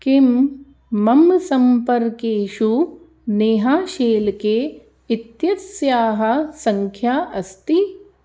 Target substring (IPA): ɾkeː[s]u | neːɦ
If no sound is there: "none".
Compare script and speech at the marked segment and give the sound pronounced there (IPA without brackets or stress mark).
ʃ